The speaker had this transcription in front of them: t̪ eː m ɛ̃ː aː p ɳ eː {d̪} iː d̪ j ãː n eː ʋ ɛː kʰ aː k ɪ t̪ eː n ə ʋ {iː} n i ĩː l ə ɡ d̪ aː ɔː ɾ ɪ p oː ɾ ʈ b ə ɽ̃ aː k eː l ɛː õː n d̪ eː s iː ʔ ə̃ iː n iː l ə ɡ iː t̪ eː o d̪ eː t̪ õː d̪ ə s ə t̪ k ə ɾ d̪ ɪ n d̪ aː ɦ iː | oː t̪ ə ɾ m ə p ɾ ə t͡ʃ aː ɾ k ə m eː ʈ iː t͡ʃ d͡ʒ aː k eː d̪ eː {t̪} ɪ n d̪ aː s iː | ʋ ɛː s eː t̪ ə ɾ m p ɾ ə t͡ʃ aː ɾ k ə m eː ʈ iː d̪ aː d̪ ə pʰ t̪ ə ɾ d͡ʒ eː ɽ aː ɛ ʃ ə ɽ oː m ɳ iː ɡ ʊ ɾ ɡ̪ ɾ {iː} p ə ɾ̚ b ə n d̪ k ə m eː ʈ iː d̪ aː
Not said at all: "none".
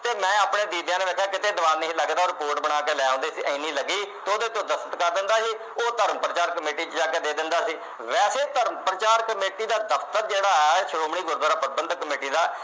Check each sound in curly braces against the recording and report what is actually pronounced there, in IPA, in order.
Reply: d̪, aː, d̪, aː

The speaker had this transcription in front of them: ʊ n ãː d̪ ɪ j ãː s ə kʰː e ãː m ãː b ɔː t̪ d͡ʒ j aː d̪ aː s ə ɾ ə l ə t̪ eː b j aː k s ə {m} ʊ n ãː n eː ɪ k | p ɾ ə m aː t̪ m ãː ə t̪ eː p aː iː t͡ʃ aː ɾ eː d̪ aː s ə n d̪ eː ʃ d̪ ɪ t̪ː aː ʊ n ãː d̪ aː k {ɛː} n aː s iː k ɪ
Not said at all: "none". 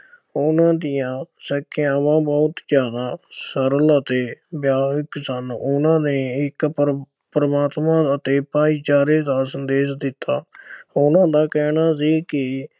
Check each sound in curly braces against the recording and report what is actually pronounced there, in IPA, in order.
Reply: n, ɛː

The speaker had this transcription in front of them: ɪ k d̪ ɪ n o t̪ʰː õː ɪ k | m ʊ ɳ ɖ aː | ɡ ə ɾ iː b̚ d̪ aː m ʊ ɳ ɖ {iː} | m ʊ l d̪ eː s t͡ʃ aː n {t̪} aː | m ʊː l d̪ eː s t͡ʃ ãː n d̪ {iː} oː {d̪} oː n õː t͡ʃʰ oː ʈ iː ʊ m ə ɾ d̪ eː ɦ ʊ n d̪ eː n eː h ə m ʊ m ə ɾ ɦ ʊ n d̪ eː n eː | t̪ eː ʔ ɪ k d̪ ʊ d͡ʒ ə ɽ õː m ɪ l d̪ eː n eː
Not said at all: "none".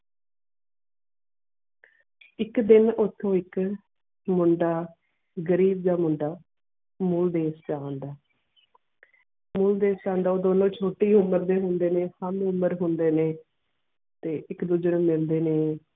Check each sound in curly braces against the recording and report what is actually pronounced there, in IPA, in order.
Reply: aː, d̪, aː, d̪

